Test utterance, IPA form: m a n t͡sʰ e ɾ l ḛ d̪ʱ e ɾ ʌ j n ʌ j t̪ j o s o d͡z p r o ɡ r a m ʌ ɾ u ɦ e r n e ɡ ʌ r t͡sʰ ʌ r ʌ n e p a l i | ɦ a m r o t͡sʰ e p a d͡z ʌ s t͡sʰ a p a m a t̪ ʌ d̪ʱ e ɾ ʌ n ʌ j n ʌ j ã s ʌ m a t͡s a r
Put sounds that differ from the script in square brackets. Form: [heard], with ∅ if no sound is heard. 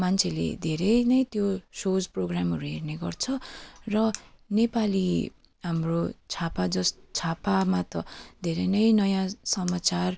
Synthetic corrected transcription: m a n t͡sʰ e [∅] l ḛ d̪ʱ e ɾ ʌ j n ʌ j t̪ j o s o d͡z p r o ɡ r a m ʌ ɾ u ɦ e r n e ɡ ʌ r t͡sʰ ʌ r ʌ n e p a l i | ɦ a m r o t͡sʰ [a] p a d͡z ʌ s t͡sʰ a p a m a t̪ ʌ d̪ʱ e ɾ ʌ n ʌ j n ʌ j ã s ʌ m a t͡s a r